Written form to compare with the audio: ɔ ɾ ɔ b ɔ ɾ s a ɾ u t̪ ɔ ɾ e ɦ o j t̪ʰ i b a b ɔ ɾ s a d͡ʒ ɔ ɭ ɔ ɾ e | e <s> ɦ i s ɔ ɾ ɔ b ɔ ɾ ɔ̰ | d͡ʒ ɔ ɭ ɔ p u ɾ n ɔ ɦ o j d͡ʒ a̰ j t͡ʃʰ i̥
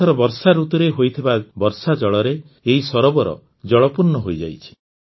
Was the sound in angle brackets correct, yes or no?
no